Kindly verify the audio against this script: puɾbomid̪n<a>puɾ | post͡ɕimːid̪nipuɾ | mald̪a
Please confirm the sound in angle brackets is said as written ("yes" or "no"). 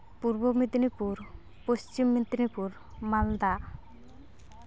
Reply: no